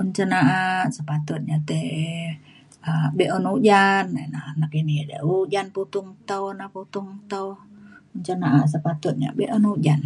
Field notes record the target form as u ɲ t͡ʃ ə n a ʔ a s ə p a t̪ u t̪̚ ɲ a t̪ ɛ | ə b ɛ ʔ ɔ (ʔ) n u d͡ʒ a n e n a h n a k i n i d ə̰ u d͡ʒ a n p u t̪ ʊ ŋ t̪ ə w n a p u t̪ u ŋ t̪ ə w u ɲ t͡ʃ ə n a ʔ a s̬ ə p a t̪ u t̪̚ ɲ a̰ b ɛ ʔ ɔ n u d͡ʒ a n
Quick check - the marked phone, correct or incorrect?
incorrect: none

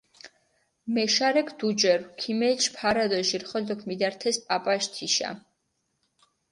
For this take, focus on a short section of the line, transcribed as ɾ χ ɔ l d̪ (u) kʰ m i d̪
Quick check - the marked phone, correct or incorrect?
incorrect: ɔ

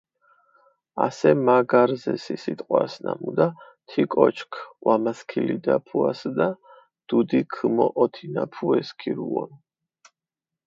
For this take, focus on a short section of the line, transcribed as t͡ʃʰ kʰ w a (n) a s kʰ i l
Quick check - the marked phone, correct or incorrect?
incorrect: m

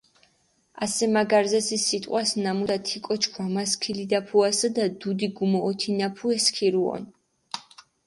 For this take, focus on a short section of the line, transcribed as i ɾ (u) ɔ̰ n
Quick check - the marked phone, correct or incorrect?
correct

